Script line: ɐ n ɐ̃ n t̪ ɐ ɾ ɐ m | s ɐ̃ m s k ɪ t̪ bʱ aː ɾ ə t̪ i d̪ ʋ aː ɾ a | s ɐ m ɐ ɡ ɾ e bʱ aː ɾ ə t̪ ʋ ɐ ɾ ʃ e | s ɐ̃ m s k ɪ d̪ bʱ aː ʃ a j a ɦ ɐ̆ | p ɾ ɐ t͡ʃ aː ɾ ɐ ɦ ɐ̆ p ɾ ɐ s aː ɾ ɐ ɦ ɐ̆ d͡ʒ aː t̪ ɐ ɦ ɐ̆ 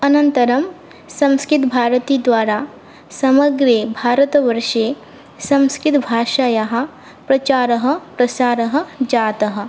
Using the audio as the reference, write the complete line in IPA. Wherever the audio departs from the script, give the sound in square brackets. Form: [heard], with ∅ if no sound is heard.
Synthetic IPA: ɐ n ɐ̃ n t̪ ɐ ɾ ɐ m | s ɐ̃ m s k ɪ t̪ bʱ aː ɾ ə t̪ i d̪ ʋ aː ɾ a | s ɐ m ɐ ɡ ɾ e bʱ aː ɾ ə t̪ ʋ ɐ ɾ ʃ e | s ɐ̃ m s k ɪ [t̪] bʱ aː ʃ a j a ɦ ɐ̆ | p ɾ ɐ t͡ʃ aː ɾ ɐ ɦ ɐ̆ p ɾ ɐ s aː ɾ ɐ ɦ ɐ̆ d͡ʒ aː t̪ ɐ ɦ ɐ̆